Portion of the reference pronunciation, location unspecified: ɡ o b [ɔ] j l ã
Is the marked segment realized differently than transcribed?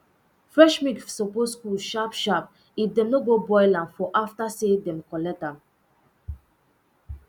no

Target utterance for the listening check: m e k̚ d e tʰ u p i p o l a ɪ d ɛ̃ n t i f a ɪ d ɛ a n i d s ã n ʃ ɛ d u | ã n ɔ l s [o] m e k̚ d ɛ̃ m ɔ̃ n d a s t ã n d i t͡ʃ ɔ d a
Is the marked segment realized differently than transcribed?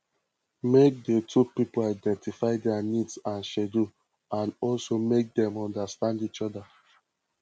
no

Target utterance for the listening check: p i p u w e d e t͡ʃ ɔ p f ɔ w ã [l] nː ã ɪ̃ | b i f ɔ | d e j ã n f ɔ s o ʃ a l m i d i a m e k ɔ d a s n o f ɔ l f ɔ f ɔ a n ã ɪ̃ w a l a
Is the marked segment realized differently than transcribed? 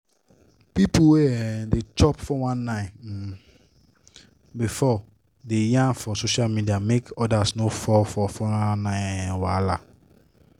yes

